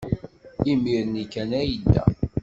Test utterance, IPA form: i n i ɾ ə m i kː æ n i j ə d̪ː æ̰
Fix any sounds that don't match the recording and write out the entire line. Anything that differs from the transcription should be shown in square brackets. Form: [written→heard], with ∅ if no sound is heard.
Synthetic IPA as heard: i [n→m] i ɾ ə [m→n] i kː æ n [i→æ] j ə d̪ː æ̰